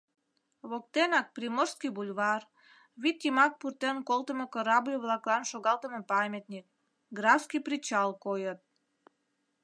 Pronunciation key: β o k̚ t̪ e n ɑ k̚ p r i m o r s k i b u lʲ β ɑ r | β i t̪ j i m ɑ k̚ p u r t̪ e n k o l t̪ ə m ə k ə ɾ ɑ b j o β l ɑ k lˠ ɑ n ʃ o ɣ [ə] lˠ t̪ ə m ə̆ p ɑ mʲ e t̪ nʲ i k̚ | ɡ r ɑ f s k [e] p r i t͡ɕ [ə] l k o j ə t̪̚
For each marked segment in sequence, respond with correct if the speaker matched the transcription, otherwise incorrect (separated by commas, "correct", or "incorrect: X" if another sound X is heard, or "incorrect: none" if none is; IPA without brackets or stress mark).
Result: incorrect: ɑ, incorrect: i, incorrect: ɑ